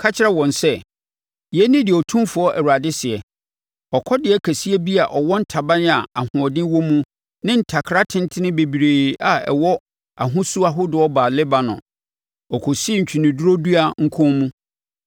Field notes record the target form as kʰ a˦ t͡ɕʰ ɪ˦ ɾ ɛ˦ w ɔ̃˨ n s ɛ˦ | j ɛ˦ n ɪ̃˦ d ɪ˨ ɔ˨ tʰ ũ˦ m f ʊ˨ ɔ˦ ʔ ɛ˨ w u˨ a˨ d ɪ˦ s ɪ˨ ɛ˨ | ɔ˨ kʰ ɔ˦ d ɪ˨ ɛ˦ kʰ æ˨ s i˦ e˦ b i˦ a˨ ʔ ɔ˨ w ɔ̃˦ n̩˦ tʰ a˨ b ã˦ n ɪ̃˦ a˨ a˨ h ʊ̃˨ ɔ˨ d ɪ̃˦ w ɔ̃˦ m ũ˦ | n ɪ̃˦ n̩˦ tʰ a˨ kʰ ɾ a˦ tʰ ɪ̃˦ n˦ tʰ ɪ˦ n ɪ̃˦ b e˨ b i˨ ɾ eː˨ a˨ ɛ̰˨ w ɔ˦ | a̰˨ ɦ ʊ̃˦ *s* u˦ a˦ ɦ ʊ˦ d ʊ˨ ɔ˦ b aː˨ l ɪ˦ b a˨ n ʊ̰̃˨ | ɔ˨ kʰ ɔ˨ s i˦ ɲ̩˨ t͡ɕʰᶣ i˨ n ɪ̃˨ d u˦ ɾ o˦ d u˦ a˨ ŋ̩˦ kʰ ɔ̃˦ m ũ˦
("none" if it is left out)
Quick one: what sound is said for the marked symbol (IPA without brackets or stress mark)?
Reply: s